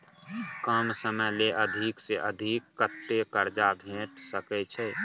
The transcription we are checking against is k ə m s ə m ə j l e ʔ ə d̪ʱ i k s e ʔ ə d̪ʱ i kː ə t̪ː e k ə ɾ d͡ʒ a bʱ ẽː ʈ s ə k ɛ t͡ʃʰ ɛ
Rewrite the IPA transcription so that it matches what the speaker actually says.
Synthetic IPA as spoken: k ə m s ə m ə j l e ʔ ə d̪ʱ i k s e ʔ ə d̪ʱ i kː ə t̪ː e k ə ɾ d͡ʒ a bʱ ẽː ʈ s ə k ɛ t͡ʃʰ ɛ